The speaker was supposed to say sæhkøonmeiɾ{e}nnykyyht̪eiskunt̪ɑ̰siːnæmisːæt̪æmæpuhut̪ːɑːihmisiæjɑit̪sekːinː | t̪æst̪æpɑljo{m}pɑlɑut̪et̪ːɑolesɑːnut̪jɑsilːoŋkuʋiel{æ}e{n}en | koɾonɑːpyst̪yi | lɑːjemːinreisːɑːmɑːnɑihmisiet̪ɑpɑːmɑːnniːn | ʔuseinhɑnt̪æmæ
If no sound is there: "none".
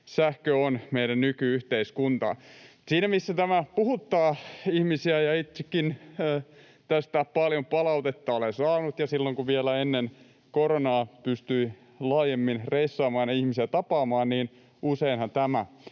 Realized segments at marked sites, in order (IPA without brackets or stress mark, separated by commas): æ, m, æ, nː